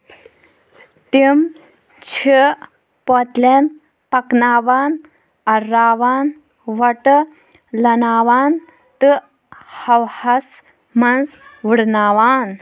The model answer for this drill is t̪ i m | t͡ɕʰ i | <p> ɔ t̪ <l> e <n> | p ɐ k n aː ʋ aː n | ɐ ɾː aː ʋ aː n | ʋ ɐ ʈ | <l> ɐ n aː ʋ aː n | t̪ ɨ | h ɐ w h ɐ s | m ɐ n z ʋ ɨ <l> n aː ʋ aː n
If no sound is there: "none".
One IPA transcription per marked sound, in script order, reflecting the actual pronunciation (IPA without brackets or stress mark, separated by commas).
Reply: p, l, n, l, ɽ